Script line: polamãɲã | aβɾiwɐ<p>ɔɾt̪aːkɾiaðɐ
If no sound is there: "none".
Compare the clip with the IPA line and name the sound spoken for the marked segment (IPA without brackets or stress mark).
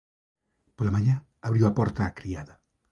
p